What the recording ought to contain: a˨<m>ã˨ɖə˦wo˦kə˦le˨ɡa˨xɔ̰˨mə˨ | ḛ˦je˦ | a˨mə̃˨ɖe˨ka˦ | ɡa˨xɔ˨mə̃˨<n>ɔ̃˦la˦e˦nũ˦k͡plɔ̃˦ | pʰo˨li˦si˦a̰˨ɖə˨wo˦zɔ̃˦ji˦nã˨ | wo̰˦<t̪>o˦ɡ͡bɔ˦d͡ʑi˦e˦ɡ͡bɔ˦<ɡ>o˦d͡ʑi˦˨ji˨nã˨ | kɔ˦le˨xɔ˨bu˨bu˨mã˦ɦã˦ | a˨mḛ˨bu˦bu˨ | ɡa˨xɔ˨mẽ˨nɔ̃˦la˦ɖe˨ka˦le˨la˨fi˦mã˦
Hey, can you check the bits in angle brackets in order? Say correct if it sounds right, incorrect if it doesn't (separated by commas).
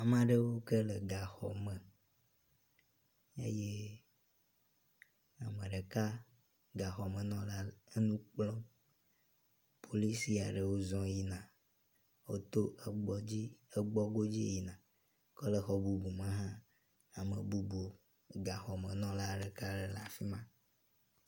correct, correct, correct, correct